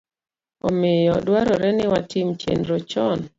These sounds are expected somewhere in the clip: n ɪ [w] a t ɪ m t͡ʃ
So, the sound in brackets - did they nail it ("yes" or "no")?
yes